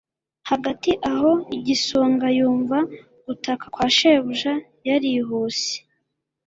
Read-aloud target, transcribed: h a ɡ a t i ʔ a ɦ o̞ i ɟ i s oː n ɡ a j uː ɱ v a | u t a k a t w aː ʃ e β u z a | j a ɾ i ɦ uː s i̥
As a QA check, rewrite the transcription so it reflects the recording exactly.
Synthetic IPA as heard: h a ɡ a t i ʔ a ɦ o̞ i ɟ i s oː ŋ ɡ a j uː ɱ v a | u t a k a k w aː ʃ e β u ʒ a | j a ɾ i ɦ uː s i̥

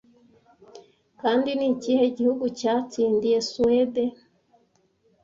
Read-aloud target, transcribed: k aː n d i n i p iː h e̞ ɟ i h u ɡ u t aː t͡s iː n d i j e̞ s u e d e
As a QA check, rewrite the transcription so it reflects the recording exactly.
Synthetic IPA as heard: k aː n d i n i c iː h e̞ ɟ i h u ɡ u c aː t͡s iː n d i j e̞ s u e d e

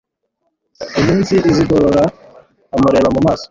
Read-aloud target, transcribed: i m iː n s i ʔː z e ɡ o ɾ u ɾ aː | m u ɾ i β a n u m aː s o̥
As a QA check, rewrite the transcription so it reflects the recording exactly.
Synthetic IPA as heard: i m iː n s i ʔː z i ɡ o ɾ o ɾ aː | m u ɾ e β a m u m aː s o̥

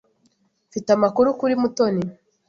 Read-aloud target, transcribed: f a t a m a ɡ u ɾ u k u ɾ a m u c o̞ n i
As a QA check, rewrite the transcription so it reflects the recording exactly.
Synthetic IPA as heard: f i t a m a k u ɾ u k u ɾ i m u t o̞ n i

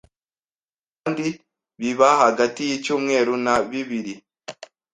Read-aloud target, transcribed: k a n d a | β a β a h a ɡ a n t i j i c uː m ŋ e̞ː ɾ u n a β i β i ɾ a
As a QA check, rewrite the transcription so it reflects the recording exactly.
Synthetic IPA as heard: k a n d i | β i β a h a ɡ a t i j i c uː m ŋ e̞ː ɾ u n a β i β i ɾ i

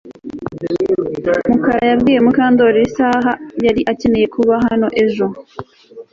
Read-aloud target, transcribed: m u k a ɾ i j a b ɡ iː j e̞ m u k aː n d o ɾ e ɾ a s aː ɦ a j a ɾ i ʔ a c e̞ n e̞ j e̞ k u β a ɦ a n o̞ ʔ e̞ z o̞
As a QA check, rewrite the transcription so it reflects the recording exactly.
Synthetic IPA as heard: m u k a ɾ a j a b ɡ iː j e̞ m u k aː n d o ɾ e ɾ i s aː ɦ a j a ɾ i ʔ a c e̞ n e̞ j e̞ k u β a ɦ a n o̞ ʔ e̞ ʒ o̞

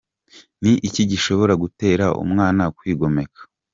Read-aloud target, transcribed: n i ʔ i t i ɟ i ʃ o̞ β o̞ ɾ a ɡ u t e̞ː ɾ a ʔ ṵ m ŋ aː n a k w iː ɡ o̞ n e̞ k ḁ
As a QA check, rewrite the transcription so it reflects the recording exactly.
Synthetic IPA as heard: n i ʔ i c i ɟ i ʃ o̞ β o̞ ɾ a ɡ u t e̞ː ɾ a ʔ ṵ m ŋ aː n a k w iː ɡ o̞ m e̞ k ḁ

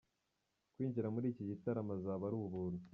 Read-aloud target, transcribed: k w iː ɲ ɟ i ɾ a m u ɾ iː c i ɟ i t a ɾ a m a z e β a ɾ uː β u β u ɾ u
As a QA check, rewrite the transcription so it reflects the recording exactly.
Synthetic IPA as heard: k w iː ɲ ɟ i ɾ a m u ɾ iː c i ɟ i t a ɾ a m a z a β a ɾ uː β u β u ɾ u

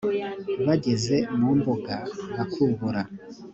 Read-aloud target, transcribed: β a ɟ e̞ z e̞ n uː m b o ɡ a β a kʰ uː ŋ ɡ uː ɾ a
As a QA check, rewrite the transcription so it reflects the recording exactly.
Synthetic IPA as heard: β a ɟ e̞ z e̞ m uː m b o ɡ a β a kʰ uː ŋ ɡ u ɾ a

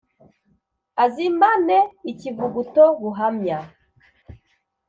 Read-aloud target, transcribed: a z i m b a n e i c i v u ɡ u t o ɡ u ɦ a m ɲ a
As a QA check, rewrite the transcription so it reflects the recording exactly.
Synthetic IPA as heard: a z i m b a n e i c i v u ɡ u t o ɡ u ɦ a m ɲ a

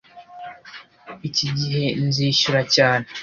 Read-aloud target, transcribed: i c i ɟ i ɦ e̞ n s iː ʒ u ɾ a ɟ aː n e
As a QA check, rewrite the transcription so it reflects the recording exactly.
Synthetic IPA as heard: i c i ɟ i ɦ e̞ n z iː ʃ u ɾ a c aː n e

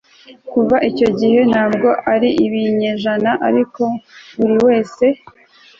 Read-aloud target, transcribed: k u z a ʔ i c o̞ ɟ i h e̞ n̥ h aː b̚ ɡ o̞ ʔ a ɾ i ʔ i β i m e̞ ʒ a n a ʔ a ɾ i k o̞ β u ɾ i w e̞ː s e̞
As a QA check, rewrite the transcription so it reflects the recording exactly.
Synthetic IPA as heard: k u v a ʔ i c o̞ ɟ i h e̞ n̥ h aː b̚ ɡ o̞ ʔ a ɾ i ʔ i β i ɲ e̞ ʒ a n a ʔ a ɾ i k o̞ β u ɾ i w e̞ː s e̞

